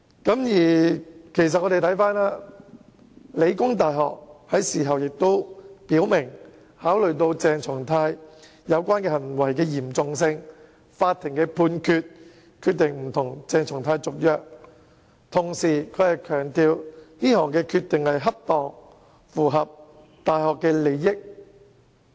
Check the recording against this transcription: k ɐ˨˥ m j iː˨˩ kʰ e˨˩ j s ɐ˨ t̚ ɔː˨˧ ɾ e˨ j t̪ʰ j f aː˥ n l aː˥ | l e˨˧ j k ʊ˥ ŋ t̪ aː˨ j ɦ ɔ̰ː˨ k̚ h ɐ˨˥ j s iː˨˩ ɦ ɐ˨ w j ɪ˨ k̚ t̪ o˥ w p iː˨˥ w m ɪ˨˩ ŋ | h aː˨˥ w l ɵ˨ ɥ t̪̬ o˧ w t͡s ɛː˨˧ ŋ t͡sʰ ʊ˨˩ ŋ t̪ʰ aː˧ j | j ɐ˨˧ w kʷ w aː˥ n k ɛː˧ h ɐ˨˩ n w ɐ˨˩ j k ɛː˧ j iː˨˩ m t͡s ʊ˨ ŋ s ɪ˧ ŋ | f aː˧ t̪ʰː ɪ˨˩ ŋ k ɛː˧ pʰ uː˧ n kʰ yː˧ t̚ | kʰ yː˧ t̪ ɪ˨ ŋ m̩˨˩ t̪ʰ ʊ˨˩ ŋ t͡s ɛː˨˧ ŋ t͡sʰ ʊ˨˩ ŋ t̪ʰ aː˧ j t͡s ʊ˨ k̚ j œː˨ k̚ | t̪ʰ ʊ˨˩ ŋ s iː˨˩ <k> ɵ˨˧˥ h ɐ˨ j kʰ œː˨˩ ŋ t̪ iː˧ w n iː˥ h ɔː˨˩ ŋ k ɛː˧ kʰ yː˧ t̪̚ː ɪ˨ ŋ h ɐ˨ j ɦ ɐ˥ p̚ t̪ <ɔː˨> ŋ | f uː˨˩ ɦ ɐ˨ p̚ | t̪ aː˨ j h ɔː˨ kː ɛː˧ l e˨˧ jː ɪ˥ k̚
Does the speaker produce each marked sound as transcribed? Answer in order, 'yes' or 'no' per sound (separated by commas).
no, yes